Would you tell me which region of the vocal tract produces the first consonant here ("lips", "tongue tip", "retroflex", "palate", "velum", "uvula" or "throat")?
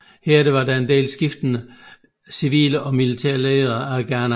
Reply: throat